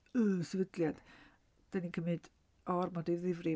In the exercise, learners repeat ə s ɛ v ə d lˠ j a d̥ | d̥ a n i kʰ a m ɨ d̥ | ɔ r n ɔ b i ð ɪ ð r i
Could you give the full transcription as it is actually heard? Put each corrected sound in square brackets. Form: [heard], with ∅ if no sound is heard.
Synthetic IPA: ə s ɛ v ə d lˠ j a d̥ | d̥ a n i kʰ [ə] m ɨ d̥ | ɔ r [m] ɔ [d] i ð ɪ [v] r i